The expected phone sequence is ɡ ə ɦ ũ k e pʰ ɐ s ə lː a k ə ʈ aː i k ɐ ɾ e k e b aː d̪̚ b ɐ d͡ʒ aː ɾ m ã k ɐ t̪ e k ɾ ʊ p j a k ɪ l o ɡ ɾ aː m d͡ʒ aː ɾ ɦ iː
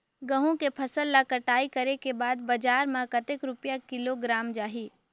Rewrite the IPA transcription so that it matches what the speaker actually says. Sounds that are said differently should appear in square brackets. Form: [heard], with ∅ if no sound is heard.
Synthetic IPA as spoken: ɡ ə ɦ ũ k e pʰ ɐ s ə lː a k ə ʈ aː i k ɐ ɾ e k e b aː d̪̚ b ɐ d͡ʒ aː ɾ m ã k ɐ t̪ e k ɾ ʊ p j a k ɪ l o ɡ ɾ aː m d͡ʒ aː [∅] ɦ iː